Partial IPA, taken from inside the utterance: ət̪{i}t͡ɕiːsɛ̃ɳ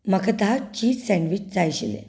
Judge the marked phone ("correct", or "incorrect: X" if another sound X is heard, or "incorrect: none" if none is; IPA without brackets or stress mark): incorrect: a